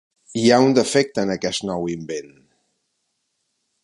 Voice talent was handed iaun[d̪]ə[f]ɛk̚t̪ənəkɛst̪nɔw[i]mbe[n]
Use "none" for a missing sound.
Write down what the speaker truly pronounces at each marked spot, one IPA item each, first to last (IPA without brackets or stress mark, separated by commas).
d̪, f, i, n